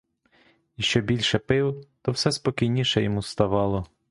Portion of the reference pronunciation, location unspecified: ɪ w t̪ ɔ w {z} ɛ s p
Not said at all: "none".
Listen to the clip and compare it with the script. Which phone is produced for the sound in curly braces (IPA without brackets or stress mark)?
s